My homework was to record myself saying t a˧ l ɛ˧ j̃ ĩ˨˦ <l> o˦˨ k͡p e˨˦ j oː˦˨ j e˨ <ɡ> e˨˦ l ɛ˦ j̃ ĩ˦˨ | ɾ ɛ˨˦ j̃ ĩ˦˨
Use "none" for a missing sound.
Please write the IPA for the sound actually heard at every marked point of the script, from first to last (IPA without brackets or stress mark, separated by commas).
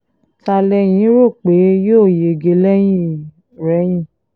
ɾ, ɡ